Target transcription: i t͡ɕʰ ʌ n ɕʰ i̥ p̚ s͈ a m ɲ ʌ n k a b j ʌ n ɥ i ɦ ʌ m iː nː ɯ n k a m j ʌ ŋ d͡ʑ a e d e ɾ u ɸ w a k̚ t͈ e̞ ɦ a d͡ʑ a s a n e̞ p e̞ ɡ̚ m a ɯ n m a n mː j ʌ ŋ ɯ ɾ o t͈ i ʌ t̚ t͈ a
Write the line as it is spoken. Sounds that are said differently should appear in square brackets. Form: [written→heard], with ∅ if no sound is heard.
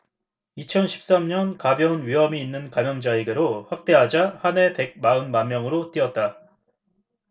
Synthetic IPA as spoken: i t͡ɕʰ ʌ n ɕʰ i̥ p̚ s͈ a m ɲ ʌ n k a b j ʌ n ɥ i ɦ ʌ m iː nː ɯ n k a m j ʌ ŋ d͡ʑ a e [d→ɡ] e ɾ [u→o] ɸ w a k̚ t͈ e̞ ɦ a d͡ʑ a [s→h] a n e̞ p e̞ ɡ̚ m a ɯ n m a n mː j ʌ ŋ ɯ ɾ o t͈ i ʌ t̚ t͈ a